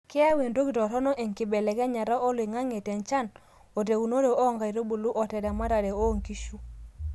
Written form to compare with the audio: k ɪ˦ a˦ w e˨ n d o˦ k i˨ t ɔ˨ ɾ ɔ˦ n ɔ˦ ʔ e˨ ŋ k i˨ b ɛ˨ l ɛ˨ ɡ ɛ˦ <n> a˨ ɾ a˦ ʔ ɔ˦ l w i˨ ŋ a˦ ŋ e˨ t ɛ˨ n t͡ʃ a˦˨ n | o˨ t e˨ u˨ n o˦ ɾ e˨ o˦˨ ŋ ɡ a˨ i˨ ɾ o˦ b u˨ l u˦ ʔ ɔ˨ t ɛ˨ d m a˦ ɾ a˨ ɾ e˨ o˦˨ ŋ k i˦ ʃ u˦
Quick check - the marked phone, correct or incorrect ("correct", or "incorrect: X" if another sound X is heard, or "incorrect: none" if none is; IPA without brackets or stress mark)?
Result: incorrect: ɲ